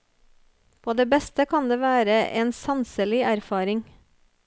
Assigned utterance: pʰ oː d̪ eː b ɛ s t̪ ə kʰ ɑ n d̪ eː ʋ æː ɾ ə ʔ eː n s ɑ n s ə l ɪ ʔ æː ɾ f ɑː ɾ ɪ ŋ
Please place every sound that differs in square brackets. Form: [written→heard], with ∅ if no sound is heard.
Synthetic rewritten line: pʰ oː d̪ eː b ɛ s t̪ ə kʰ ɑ n d̪ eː ʋ æː ɾ ə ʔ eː n s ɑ n s ə l ɪ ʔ [æː→æ] ɾ f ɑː ɾ ɪ ŋ

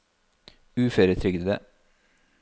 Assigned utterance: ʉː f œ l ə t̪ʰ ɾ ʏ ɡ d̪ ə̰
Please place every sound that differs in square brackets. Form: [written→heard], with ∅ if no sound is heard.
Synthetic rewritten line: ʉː f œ [l→ɾ] ə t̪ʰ ɾ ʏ ɡ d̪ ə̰

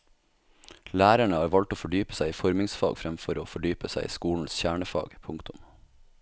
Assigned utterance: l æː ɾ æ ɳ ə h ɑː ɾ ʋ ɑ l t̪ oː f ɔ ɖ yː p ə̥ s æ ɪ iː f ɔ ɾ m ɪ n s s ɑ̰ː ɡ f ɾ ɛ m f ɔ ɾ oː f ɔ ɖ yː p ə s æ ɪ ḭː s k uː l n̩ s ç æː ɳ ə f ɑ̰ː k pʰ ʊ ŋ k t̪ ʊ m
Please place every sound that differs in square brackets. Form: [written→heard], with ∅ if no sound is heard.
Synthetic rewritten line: l æː ɾ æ ɳ ə h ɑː ɾ ʋ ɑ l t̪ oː f ɔ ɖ yː p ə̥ s æ ɪ iː f ɔ ɾ m ɪ [n→ŋ] s [s→f] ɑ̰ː ɡ f ɾ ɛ m f ɔ ɾ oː f ɔ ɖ yː p ə s æ ɪ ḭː s k uː l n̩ s ç æː ɳ ə f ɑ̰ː [k→ɡ] pʰ ʊ ŋ k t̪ ʊ m

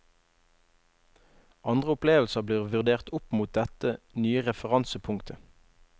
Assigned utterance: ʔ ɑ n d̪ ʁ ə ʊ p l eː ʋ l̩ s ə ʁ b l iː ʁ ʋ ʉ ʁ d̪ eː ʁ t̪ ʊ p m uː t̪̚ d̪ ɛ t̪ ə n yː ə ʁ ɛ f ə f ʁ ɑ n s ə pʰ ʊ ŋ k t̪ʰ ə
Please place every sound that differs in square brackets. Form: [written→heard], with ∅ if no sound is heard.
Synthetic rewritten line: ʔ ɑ n d̪ ʁ ə ʊ p l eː ʋ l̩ s ə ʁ b l iː ʁ ʋ ʉ ʁ d̪ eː ʁ t̪ ʊ p m uː t̪̚ d̪ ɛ t̪ ə n yː ə ʁ ɛ f ə [f→∅] ʁ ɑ n s ə pʰ ʊ ŋ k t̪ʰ ə

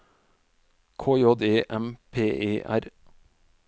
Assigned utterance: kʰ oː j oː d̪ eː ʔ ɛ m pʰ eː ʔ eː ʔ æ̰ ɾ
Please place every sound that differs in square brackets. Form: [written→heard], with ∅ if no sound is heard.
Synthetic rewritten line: kʰ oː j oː d̪ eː ʔ ɛ m pʰ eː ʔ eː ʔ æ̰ ɾ

